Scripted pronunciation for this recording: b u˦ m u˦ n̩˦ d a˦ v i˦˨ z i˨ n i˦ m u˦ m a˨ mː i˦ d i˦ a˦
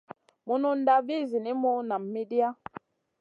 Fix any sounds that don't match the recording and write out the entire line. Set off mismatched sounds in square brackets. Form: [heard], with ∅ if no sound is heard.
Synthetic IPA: [m] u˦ [n] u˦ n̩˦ d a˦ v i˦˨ z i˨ n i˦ m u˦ [n] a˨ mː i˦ d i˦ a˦